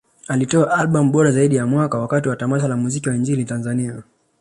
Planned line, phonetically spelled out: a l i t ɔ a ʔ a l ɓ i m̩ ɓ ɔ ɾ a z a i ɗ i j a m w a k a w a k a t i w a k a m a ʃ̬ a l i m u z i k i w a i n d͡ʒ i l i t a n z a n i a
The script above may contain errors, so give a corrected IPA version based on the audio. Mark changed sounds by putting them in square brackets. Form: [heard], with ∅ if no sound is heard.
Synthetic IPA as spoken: a l i t ɔ a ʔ a l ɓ [a] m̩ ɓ ɔ ɾ a z a i ɗ i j a m w a k a w a k a t i w a [t] a m a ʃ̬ a l [a] m u z i k i w a i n d͡ʒ i l i t a n z a n i a